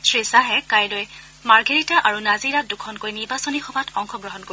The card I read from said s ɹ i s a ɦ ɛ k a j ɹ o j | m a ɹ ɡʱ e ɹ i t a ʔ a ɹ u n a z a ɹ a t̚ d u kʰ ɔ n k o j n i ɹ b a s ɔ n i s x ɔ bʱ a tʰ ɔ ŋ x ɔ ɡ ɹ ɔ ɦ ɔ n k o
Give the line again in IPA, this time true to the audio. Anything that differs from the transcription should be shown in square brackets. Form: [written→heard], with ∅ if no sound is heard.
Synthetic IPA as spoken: s ɹ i s a ɦ ɛ k a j [ɹ→l] o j | m a ɹ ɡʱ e ɹ i t a ʔ a ɹ u n a z [a→i] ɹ a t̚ d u kʰ ɔ n k o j n i ɹ b a s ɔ n i [s→∅] x ɔ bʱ a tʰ ɔ ŋ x ɔ ɡ ɹ ɔ ɦ ɔ n k o